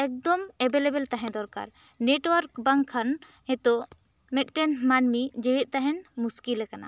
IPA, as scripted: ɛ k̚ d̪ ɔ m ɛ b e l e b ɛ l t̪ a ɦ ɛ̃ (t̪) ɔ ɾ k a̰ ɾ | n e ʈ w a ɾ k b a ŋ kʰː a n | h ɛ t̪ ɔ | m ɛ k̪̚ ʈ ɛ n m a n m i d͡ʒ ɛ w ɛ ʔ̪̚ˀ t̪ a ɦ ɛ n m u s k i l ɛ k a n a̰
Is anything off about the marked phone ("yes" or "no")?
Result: yes